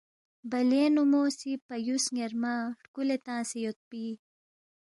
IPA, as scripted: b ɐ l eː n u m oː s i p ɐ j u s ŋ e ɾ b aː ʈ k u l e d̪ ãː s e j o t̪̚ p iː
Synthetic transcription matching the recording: b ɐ l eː n u m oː s i p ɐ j u s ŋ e ɾ m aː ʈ k u l e t̪ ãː s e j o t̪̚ p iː